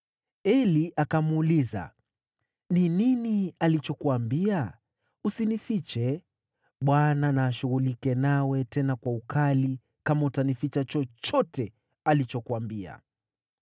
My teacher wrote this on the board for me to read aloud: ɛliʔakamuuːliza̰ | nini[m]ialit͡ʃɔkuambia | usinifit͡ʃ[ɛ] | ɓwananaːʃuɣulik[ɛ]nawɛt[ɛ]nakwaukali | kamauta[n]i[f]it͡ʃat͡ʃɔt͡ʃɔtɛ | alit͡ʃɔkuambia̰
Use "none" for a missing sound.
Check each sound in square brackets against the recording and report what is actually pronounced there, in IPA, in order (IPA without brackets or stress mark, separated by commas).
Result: n, ɛ, ɛ, ɛ, n, f